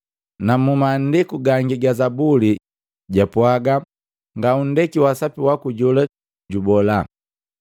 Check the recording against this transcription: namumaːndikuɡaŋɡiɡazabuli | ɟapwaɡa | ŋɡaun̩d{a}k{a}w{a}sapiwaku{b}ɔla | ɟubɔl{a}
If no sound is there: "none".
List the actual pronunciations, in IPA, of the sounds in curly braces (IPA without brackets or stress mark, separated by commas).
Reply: ɛ, i, a, ɟ, a